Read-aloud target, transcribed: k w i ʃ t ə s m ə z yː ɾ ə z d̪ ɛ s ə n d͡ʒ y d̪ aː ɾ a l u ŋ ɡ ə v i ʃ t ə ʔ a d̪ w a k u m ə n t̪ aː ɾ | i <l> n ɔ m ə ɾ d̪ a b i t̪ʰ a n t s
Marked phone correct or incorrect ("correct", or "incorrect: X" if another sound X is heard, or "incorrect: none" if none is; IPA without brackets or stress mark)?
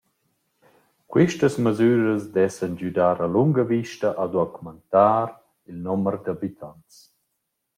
correct